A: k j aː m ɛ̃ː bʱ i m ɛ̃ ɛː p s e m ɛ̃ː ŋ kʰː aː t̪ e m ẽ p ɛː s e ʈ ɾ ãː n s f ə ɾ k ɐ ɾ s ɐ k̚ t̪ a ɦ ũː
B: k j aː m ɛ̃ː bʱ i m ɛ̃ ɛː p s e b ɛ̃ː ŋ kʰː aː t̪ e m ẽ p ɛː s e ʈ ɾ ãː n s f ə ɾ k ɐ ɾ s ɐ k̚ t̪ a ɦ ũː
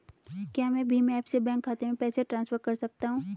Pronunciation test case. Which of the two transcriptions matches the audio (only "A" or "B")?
B